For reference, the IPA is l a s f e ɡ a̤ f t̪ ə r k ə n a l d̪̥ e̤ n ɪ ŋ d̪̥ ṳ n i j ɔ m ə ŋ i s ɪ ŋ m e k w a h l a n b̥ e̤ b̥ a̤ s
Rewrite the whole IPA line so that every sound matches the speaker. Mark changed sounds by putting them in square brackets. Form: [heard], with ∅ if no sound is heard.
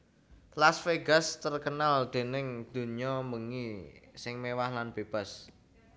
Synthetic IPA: l a s f e ɡ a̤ [s] t̪ ə r k ə n a l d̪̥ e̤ n ɪ ŋ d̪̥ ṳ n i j ɔ m ə ŋ i s ɪ ŋ m e [∅] w a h l a n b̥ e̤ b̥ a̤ s